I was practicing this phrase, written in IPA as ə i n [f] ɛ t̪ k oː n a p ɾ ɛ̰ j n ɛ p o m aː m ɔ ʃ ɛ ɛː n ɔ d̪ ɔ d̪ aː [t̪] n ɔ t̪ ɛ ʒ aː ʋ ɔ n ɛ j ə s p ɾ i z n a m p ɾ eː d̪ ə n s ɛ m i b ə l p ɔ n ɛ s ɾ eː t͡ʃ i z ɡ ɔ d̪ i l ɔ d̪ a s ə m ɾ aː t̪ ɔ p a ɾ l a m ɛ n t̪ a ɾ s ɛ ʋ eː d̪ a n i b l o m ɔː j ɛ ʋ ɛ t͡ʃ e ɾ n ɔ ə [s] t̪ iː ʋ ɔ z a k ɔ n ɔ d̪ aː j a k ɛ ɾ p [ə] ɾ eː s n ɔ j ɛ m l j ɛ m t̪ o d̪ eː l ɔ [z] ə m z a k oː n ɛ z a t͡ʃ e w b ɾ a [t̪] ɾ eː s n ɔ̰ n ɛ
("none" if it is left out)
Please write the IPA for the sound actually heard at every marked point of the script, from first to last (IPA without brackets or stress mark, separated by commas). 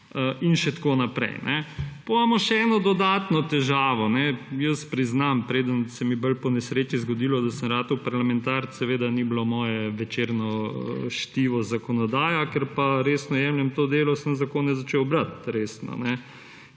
ʃ, t̪, ʃ, a, s, t̪